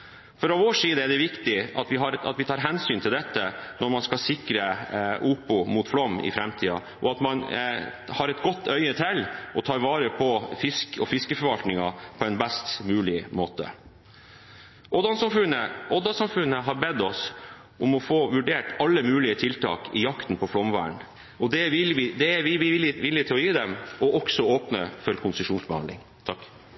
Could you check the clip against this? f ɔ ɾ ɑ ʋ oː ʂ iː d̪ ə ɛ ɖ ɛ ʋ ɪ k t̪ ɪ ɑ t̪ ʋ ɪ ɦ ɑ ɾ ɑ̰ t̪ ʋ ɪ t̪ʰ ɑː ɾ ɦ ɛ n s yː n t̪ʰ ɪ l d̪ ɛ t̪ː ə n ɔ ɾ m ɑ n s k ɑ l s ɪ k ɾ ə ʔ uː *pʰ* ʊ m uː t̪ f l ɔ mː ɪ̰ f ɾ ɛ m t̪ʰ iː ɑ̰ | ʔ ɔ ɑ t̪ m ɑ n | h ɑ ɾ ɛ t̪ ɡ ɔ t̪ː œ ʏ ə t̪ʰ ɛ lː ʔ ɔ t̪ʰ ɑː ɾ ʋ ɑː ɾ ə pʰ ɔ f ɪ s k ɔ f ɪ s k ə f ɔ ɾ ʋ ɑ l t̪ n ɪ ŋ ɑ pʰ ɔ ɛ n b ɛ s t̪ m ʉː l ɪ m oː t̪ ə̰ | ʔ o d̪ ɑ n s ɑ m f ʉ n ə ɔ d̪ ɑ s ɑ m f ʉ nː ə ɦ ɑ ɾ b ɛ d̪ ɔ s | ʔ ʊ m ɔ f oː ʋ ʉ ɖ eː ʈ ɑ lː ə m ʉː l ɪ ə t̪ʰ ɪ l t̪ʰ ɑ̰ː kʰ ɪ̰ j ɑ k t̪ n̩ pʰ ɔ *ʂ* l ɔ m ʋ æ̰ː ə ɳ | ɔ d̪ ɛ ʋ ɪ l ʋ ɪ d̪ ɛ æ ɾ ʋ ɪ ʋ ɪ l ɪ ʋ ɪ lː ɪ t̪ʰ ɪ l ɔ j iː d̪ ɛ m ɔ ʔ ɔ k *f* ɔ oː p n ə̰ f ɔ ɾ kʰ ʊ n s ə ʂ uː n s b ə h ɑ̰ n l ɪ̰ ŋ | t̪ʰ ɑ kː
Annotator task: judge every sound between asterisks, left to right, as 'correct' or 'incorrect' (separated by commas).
incorrect, incorrect, incorrect